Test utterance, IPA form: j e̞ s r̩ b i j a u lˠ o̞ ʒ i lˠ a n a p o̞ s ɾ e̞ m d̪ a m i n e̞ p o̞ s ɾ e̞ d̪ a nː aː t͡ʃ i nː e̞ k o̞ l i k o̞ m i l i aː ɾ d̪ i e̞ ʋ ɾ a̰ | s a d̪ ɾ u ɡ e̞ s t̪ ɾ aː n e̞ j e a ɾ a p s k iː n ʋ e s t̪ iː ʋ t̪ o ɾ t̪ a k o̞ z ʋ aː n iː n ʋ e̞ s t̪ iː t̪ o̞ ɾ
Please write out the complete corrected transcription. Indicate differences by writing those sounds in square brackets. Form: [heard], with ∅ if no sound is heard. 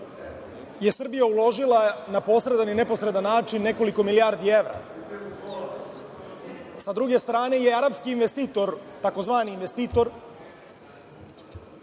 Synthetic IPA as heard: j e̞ s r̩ b i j a u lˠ o̞ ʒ i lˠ a n a p o̞ s ɾ e̞ [∅] d̪ a [n] i n e̞ p o̞ s ɾ e̞ d̪ a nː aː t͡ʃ i nː e̞ k o̞ l i k o̞ m i l i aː ɾ d̪ i e̞ ʋ ɾ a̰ | s a d̪ ɾ u ɡ e̞ s t̪ ɾ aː n e̞ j e a ɾ a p s k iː n ʋ e s t̪ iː [∅] t̪ o ɾ t̪ a k o̞ z ʋ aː n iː n ʋ e̞ s t̪ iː t̪ o̞ ɾ